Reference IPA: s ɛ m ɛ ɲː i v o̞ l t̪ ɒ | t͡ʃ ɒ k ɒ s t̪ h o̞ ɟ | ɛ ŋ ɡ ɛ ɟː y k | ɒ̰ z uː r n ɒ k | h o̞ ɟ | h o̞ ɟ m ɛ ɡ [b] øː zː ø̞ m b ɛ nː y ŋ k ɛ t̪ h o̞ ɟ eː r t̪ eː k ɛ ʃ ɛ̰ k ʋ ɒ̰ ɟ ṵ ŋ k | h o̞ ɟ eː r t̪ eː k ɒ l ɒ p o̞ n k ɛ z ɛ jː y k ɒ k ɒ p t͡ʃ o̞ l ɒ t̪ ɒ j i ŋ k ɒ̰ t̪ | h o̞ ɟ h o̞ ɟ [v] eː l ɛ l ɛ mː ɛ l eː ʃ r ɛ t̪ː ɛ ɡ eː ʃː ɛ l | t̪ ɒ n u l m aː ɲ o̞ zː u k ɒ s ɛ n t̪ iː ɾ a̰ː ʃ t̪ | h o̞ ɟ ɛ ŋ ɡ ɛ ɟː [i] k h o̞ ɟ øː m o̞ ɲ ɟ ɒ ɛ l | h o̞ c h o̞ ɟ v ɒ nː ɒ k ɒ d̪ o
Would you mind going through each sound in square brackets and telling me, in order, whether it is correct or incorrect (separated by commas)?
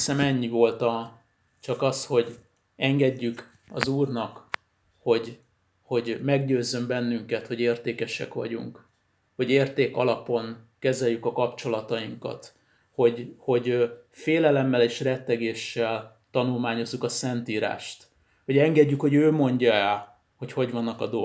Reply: incorrect, incorrect, incorrect